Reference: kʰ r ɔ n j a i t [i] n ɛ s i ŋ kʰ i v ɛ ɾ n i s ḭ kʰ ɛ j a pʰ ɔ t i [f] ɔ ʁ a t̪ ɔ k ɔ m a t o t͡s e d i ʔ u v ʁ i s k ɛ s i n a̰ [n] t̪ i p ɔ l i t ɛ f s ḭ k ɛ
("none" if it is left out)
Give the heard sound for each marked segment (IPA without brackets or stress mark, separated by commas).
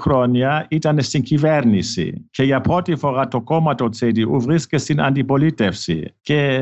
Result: a, f, n